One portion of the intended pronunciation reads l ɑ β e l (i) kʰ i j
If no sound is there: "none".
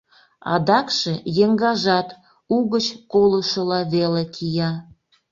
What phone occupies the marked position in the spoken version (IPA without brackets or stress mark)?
e